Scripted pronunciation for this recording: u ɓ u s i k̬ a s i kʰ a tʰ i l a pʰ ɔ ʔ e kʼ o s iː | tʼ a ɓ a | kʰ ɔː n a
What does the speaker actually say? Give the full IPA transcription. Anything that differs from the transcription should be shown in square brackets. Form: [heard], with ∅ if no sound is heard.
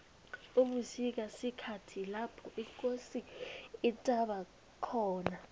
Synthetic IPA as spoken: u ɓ u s i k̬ a s i kʰ a tʰ i l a pʰ ɔ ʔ [i] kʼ o s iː | tʼ a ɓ a | kʰ ɔː n a